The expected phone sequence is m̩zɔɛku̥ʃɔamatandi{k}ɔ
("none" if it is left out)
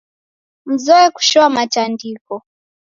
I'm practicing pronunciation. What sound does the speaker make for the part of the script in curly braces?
k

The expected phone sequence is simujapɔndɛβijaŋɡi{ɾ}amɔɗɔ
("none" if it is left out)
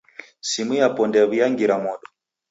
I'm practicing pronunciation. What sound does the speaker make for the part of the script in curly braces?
ɾ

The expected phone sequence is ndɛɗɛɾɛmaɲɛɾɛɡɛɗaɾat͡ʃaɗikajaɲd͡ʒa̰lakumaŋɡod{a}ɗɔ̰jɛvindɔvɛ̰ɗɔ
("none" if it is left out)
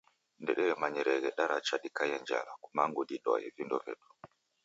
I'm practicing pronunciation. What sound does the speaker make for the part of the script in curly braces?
i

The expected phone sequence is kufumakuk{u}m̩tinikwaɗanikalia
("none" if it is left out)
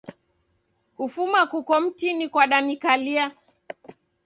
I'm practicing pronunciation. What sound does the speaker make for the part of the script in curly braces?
ɔ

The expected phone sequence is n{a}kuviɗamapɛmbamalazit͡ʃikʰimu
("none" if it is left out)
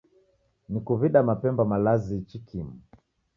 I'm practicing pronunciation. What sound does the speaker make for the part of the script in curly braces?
i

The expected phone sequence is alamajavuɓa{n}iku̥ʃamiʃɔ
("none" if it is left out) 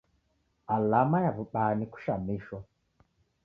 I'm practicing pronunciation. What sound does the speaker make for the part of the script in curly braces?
n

